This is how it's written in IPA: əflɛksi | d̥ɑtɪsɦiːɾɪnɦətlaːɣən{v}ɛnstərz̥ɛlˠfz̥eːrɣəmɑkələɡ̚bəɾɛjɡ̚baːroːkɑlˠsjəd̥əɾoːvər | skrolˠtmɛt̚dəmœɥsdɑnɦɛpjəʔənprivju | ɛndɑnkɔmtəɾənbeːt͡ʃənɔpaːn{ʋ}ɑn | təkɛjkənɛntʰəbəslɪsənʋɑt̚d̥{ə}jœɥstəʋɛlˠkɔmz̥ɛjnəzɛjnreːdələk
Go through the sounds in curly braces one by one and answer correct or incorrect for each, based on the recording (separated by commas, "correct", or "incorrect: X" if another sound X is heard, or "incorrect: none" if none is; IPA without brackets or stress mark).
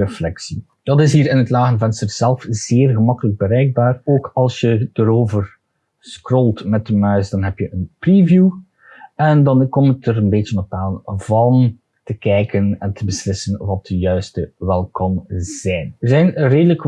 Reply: correct, incorrect: v, correct